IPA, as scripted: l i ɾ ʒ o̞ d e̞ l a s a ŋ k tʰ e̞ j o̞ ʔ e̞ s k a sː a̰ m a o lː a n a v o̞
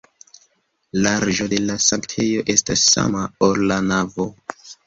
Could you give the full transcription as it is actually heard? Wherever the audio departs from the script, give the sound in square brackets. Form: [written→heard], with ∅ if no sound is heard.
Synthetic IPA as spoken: l [i→a] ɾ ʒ o̞ d e̞ l a s a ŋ k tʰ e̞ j o̞ ʔ e̞ s [k→t] a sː a̰ m a o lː a n a v o̞